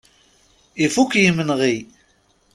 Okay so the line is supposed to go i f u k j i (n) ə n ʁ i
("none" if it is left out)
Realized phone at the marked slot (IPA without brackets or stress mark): m